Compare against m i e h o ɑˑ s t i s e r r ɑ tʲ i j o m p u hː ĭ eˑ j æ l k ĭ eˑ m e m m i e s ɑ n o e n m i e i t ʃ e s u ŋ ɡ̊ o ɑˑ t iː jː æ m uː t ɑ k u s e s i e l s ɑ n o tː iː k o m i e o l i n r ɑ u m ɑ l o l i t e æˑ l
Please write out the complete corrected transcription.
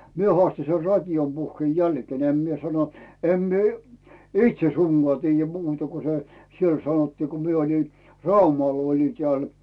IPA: m i e h o ɑˑ s t i s e r r ɑ tʲ i j o m p u hː ĭ eˑ j æ l k ĭ eˑ n e m m i e s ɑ n o e m m i e i t ʃ e s u ŋ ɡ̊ o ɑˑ t iː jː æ m uː t ɑ k u s e s i e l s ɑ n o tː iː k o m i e o l i n r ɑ u m ɑ l o l i t e æˑ l